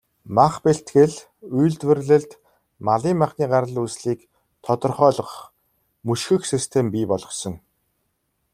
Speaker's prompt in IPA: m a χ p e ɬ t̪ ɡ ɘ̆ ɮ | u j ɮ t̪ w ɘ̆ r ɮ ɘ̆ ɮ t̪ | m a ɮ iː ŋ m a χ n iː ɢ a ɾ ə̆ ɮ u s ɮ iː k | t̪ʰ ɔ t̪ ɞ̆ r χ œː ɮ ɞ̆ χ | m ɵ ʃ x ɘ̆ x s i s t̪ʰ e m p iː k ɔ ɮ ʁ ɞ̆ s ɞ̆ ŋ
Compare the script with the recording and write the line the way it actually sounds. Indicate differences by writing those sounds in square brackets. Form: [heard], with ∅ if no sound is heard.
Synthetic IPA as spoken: m a χ p e ɬ t̪ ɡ ɘ̆ ɮ | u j ɮ t̪ w ɘ̆ r ɮ ɘ̆ ɮ t̪ | m a ɮ iː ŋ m a χ n iː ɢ a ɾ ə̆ ɮ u s ɮ iː k | t̪ʰ ɔ t̪ ɞ̆ r χ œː ɮ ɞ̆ χ | m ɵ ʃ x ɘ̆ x s i s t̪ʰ e m p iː [p] ɔ ɮ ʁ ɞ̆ s ɞ̆ ŋ

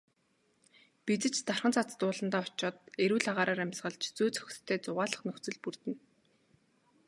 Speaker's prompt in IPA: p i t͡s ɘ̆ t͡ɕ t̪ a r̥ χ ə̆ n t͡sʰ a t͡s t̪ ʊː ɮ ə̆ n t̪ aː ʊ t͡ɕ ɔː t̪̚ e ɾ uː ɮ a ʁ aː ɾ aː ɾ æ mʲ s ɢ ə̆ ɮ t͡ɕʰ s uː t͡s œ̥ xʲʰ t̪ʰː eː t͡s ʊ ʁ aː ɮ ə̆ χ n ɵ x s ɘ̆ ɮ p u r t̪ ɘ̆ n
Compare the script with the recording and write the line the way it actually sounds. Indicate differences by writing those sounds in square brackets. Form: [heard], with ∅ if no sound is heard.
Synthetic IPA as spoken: p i t͡s ɘ̆ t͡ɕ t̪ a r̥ χ ə̆ n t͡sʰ a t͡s t̪ ʊː ɮ ə̆ n t̪ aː ʊ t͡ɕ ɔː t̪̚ e ɾ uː ɮ a ʁ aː ɾ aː ɾ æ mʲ s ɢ ə̆ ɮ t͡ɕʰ [t͡s] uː t͡s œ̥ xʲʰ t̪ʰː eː t͡s ʊ ʁ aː ɮ ə̆ χ n ɵ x [t͡s] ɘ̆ ɮ p u r t̪ ɘ̆ n

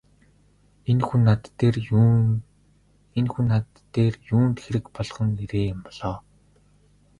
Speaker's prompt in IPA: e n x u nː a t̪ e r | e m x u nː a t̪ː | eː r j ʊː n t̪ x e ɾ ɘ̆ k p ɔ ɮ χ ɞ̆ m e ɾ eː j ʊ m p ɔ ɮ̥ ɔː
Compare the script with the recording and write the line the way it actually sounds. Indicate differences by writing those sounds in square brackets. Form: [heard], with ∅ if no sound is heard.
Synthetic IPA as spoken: e n x u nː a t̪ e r | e [n] x u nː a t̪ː | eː r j [uː] n t̪ x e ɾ ɘ̆ k p ɔ ɮ χ ɞ̆ [ŋ] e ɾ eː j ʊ m p ɔ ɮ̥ ɔː

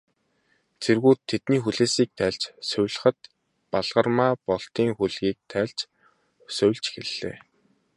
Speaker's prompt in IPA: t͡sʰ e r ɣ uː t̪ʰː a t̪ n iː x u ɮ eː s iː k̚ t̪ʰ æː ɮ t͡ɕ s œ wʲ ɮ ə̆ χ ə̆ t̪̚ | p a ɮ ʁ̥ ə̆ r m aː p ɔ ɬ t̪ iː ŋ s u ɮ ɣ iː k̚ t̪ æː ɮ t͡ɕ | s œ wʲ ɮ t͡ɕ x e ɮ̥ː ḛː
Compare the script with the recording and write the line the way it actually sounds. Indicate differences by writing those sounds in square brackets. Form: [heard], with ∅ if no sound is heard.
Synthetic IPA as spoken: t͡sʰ e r ɣ uː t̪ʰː [e] t̪ n iː x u ɮ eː s iː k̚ t̪ʰ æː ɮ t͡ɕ s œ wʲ ɮ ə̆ χ ə̆ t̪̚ | p a ɮ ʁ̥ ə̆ r m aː p ɔ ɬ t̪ iː ŋ [x] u ɮ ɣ iː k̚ [t̪ʰ] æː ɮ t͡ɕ | s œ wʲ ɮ t͡ɕ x e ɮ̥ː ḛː

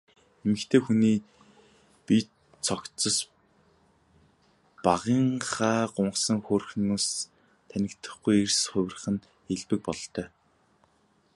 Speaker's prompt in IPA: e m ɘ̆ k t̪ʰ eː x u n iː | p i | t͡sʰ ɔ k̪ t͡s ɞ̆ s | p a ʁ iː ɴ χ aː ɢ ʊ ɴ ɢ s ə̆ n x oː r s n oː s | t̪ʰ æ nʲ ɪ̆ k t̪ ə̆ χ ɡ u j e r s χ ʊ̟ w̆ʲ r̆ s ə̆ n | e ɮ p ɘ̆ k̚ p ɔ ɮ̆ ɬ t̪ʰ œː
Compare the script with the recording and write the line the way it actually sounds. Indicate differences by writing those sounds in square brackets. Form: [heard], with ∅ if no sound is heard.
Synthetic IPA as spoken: e m ɘ̆ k t̪ʰ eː x u n iː | p i | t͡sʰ ɔ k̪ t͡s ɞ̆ s | p a ʁ iː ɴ χ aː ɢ ʊ ɴ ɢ s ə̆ [ŋ] x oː r [x] n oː s | t̪ʰ æ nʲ ɪ̆ k t̪ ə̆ χ ɡ u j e r s χ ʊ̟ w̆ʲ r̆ [χ] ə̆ n | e ɮ p ɘ̆ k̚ p ɔ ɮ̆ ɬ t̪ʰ œː

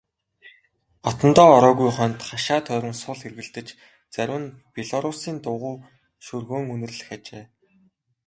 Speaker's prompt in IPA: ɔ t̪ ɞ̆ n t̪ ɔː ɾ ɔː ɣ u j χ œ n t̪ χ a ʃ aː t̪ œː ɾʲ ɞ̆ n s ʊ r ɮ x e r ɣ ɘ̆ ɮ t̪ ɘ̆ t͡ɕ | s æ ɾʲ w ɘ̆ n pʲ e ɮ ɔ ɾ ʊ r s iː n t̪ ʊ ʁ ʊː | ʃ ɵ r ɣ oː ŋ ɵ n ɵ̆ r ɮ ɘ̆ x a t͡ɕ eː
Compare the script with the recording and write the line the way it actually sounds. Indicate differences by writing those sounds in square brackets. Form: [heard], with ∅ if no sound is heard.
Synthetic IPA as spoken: ɔ t̪ ɞ̆ n t̪ ɔː ɾ ɔː ɣ u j χ œ n t̪ χ a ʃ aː [t̪ʰ] œː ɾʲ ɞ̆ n s ʊ [∅] ɮ x e r ɣ ɘ̆ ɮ t̪ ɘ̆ t͡ɕ | [t͡s] æ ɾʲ w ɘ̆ n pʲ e ɮ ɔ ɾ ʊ [∅] s iː n t̪ ʊ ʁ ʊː | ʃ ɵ r ɣ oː ŋ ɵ n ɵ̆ r ɮ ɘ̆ x a t͡ɕ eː

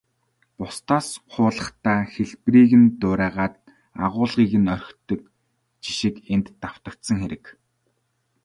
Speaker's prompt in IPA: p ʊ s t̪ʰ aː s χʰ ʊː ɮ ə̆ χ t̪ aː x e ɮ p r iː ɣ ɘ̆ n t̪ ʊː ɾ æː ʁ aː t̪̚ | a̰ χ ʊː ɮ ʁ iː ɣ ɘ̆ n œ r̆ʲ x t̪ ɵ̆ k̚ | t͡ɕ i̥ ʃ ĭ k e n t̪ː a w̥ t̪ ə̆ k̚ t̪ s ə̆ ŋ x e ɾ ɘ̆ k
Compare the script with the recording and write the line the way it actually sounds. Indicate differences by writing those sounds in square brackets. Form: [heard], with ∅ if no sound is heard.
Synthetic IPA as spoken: p ʊ s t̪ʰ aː s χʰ ʊː ɮ ə̆ χ t̪ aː x e ɮ p r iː ɣ ɘ̆ n t̪ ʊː ɾ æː ʁ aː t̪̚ | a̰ [ʁ] ʊː ɮ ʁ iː ɣ ɘ̆ n œ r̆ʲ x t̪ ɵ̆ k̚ | t͡ɕ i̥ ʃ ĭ k e n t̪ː a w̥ t̪ ə̆ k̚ t̪ s ə̆ ŋ x e ɾ ɘ̆ k

